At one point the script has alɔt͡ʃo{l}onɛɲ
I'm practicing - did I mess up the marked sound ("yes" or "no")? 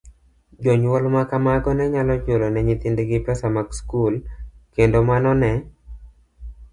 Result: no